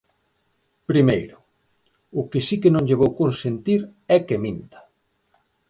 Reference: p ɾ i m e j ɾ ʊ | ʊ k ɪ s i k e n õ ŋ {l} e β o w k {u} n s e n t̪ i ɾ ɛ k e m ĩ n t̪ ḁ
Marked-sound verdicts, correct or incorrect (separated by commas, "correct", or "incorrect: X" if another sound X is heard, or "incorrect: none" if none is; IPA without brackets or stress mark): incorrect: ʎ, incorrect: o